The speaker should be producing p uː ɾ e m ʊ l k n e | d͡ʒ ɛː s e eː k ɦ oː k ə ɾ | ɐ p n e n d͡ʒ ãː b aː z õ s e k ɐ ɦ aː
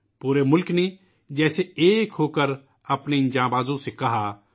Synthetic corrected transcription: p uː ɾ e m ʊ l k n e | d͡ʒ ɛː s e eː k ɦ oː k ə ɾ | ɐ p n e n d͡ʒ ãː b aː z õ s e k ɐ ɦ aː